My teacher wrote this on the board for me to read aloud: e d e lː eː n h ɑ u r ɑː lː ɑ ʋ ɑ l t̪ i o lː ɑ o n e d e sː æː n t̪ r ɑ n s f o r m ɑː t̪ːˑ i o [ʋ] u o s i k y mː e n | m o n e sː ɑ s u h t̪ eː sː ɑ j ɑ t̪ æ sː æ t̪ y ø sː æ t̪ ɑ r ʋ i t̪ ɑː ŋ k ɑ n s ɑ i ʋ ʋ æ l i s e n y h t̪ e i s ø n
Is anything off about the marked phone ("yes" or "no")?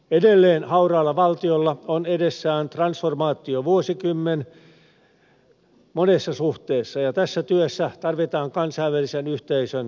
no